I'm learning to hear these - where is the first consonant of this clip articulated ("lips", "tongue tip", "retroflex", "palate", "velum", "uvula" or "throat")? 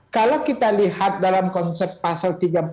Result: velum